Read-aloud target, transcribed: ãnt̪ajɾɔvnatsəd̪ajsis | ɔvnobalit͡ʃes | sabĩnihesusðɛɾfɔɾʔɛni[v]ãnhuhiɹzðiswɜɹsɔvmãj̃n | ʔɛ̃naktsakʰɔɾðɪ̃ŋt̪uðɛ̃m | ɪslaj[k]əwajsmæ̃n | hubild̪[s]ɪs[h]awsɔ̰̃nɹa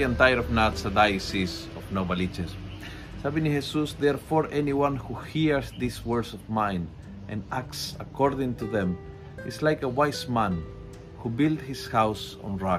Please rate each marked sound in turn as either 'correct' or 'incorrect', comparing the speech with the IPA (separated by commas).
incorrect, correct, incorrect, correct